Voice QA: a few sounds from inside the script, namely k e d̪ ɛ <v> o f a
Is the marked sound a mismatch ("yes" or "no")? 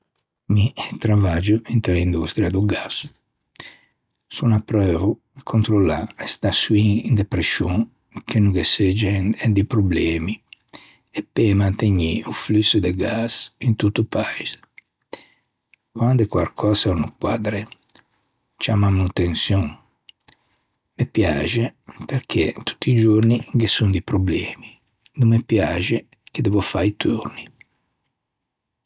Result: no